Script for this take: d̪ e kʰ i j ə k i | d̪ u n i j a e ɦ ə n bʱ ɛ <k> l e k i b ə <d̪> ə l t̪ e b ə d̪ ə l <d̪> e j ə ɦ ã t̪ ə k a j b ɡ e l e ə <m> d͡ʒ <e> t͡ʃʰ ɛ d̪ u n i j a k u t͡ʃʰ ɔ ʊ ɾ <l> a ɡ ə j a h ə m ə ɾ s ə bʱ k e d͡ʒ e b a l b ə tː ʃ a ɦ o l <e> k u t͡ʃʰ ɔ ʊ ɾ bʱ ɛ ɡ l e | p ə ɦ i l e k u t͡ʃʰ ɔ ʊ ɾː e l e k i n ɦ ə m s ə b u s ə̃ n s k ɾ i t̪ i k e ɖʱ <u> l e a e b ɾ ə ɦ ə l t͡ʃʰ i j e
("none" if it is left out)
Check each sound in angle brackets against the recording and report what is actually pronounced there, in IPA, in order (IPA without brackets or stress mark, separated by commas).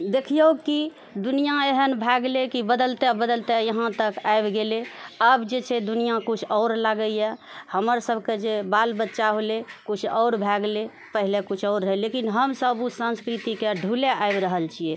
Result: ɡ, d̪, t̪, b, e, l, e, u